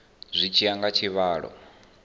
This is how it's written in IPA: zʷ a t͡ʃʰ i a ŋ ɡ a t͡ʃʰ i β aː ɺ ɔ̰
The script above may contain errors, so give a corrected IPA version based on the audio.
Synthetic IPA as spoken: zʷ i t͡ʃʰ i a ŋ ɡ a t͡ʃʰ i β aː ɺ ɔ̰